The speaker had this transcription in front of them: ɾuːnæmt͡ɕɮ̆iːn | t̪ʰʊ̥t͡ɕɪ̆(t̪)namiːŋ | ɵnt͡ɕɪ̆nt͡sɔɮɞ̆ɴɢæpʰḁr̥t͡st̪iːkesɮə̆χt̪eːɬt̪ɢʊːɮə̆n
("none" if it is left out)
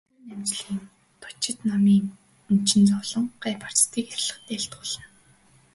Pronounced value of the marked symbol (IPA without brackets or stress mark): t̪